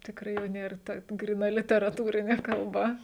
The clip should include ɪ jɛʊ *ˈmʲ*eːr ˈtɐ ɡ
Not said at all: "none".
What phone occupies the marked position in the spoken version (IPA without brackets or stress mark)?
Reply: nʲ